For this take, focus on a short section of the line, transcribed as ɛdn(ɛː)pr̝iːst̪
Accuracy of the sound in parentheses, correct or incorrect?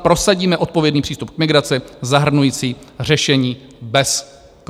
incorrect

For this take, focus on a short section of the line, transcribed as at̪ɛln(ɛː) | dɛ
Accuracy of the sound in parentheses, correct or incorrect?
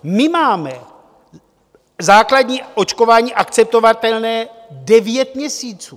correct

